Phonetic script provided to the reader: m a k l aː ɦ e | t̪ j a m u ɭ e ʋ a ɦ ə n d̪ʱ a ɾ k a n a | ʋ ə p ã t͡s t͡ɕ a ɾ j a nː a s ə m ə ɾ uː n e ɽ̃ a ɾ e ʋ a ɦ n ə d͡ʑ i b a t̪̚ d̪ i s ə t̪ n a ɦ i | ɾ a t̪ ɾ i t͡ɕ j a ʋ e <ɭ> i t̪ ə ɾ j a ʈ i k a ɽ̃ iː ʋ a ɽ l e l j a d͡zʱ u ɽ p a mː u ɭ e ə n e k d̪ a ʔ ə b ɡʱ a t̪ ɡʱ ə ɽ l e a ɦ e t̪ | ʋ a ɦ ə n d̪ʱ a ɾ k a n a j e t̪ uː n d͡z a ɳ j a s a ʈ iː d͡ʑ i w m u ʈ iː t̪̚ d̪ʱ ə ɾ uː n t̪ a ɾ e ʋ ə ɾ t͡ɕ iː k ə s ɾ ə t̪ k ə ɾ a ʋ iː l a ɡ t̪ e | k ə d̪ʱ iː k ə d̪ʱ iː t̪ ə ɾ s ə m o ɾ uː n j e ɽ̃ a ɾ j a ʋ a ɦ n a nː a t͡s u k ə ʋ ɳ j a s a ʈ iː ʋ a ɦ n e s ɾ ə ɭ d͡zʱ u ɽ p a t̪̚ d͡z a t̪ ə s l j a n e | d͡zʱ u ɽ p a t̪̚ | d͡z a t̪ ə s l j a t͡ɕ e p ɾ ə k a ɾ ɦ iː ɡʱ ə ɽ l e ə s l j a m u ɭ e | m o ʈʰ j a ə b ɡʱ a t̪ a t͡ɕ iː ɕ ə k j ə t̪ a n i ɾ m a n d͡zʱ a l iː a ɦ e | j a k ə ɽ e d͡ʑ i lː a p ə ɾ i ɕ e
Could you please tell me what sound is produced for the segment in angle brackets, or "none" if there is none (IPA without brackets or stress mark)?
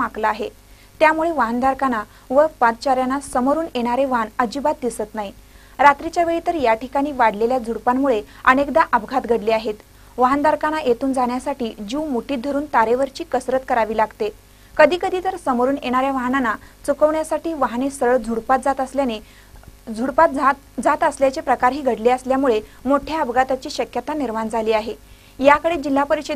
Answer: ɭ